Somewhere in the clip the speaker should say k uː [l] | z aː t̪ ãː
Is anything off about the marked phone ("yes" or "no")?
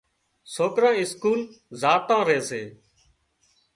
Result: no